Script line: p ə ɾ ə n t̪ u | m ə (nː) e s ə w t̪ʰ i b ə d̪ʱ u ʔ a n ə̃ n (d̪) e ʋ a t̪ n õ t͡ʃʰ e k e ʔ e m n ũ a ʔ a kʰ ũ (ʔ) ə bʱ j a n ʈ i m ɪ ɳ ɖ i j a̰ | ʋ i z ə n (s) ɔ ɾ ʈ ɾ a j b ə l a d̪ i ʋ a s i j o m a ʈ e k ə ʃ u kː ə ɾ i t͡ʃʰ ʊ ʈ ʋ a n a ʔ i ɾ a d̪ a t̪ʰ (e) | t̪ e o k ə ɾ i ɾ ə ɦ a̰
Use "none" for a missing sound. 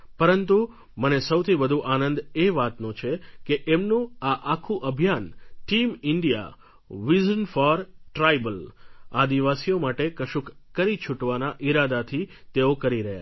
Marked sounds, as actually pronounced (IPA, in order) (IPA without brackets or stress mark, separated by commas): n, d̪, ʔ, f, i